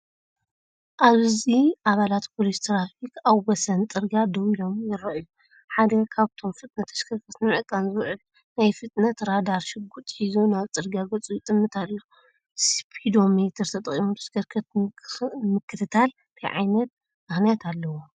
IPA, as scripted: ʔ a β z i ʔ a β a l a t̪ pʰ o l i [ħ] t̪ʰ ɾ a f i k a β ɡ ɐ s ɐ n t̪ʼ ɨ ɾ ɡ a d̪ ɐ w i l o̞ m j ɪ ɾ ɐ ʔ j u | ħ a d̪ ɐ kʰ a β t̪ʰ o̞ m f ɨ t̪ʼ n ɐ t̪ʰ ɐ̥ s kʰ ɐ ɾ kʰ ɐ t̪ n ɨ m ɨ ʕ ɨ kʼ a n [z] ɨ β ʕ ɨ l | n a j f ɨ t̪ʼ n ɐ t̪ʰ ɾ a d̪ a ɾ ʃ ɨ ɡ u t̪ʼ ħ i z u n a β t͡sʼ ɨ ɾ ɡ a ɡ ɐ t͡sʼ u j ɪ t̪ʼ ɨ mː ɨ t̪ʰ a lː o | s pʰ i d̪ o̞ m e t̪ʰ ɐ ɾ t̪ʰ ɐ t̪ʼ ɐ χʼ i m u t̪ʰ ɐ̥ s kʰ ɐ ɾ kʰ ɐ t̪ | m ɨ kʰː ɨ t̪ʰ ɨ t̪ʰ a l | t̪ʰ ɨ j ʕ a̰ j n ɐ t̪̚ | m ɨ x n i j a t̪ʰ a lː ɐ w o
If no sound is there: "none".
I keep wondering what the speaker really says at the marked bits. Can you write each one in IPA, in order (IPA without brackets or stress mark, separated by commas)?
s, z